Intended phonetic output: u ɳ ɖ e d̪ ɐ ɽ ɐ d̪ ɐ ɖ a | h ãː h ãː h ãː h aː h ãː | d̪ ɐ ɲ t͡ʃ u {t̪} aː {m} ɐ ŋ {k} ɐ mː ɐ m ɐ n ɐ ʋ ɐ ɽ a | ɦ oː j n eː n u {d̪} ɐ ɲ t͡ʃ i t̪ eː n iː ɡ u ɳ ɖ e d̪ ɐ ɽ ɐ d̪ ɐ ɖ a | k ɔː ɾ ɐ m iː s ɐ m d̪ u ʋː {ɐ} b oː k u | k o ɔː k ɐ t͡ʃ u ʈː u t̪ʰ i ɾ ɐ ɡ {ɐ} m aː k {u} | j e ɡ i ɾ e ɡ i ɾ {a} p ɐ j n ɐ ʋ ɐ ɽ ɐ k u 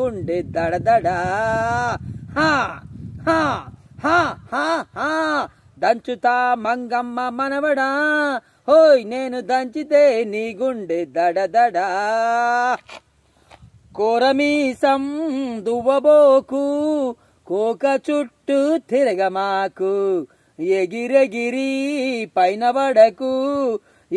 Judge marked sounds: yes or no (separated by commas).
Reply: yes, yes, no, yes, yes, yes, yes, no